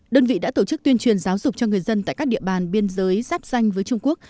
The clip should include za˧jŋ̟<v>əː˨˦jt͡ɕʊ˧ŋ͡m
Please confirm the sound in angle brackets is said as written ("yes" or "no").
yes